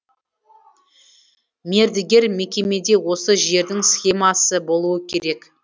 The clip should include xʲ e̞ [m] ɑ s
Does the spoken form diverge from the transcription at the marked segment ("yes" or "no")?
no